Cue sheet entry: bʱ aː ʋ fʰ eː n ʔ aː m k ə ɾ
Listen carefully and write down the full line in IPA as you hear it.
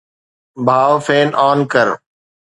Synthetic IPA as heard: bʱ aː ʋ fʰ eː n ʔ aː n k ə ɾ